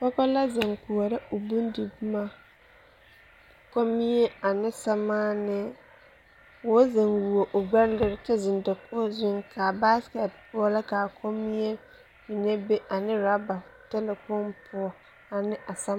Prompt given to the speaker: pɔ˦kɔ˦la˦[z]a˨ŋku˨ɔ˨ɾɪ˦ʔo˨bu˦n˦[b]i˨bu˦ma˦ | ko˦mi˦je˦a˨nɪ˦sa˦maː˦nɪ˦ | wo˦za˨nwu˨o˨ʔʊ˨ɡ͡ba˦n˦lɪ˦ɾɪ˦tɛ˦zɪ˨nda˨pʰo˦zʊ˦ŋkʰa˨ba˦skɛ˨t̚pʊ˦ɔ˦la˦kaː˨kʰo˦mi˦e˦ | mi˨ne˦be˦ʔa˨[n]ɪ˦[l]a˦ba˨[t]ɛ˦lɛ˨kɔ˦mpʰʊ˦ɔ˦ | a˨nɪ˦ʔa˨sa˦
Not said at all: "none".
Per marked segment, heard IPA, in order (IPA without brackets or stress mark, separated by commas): z, d, n, ɾ, t